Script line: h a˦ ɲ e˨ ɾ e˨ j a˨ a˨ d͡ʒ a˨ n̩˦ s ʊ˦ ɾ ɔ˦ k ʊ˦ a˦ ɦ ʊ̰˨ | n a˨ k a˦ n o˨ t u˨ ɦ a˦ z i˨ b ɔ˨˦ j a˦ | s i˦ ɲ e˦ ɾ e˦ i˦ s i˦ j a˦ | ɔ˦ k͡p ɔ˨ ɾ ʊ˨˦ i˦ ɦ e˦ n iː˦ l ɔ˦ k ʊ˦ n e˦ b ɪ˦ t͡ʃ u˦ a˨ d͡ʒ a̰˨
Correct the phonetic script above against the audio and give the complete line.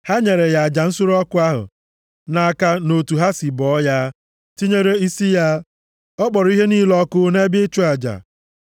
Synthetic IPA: h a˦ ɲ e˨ ɾ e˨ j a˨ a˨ d͡ʒ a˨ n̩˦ s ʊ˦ ɾ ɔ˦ k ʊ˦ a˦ ɦ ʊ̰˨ | n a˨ k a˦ n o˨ t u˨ ɦ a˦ s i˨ b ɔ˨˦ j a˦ | t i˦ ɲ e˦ ɾ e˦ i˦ s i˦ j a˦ | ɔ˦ k͡p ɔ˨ ɾ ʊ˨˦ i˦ ɦ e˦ n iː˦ l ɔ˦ k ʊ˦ n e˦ b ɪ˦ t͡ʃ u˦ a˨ d͡ʒ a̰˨

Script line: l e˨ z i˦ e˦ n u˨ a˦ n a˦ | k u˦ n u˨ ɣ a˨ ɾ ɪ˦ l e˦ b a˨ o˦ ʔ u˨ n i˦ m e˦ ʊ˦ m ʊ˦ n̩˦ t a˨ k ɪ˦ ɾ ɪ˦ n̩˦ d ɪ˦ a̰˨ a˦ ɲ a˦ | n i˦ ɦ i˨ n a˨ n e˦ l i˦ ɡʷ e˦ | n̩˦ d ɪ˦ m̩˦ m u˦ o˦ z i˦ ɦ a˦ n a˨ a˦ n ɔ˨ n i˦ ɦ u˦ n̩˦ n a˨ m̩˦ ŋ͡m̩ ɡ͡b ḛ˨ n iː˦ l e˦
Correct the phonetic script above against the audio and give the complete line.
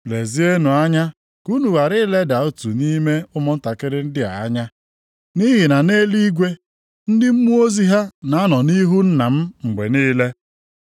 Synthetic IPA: l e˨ z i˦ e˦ n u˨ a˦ ɲ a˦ | k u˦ n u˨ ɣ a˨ ɾ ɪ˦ l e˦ d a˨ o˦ t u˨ n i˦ m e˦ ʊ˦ m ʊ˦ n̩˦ t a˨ k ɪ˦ ɾ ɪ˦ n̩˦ d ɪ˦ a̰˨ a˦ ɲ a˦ | n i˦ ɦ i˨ n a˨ n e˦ l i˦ ɡʷ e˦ | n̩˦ d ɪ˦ m̩˦ m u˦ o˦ z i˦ ɦ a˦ n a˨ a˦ n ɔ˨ n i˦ ɦ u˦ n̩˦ n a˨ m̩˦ ŋ͡m̩ ɡ͡b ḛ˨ n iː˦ l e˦

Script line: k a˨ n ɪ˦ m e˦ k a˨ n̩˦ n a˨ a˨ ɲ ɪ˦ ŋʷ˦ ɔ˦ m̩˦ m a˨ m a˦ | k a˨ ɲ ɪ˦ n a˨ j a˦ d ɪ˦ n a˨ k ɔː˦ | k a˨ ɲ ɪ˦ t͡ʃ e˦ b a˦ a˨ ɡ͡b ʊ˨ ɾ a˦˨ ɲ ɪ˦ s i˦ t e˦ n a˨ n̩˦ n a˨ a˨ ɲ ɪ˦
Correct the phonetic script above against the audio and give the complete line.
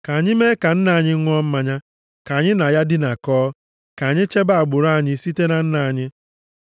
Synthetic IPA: k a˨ ɲ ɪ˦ m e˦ k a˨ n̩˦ n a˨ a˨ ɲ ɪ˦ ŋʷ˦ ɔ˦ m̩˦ m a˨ ɲ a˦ | k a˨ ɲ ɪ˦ n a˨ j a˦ d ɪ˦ n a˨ k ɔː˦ | k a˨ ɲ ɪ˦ t͡ʃ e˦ b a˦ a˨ ɡ͡b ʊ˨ ɾ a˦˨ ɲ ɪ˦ s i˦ t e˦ n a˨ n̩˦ n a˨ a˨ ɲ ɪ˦

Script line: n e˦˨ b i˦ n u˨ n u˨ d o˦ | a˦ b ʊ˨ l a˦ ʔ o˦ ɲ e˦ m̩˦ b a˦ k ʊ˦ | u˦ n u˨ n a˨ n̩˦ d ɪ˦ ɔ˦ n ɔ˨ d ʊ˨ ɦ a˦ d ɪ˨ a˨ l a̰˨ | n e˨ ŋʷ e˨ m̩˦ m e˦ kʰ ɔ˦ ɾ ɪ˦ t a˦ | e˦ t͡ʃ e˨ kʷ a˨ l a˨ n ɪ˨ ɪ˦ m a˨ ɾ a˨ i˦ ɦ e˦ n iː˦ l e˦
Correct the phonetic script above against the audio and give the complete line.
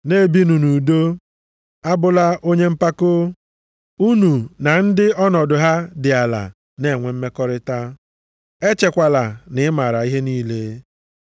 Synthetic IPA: n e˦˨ b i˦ n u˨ n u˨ d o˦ | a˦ b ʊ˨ l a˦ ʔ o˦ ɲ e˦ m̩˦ p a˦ k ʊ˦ | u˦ n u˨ n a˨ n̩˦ d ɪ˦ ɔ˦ n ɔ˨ d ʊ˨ ɦ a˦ d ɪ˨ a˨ l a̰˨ | n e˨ ŋʷ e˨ m̩˦ m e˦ k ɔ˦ ɾ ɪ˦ t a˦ | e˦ t͡ʃ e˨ kʷ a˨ l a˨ n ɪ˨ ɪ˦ m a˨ ɾ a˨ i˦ ɦ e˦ n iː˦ l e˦

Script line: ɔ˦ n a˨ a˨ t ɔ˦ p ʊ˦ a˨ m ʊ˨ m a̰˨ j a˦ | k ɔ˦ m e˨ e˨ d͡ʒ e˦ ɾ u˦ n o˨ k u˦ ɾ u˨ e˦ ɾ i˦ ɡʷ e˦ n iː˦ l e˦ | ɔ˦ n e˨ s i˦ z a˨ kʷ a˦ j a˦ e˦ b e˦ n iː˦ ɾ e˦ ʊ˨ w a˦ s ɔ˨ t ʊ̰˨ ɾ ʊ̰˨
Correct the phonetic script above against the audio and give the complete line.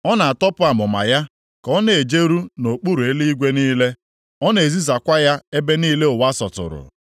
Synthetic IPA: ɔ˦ n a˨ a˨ t ɔ˦ p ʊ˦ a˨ m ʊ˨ m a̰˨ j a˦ | k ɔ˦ n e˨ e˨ d͡ʒ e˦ ɾ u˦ n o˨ k͡p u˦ ɾ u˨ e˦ l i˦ ɡʷ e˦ n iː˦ l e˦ | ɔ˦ n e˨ z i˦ z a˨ kʷ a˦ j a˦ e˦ b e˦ n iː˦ l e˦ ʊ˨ w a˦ s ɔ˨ t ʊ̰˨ ɾ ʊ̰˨

